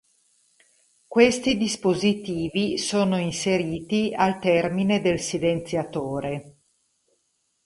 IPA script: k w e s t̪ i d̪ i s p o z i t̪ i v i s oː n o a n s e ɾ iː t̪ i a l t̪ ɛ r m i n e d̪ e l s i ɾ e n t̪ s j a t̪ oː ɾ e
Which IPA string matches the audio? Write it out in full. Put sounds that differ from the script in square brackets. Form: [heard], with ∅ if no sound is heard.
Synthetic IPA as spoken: k w e s t̪ i d̪ i s p o z i t̪ [iː] v i s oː n o [i] n s e ɾ iː t̪ i a l t̪ ɛ r m i n e d̪ e l s i [l] e n t̪ s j a t̪ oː ɾ e